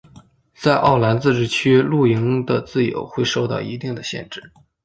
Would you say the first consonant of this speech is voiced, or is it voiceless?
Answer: voiceless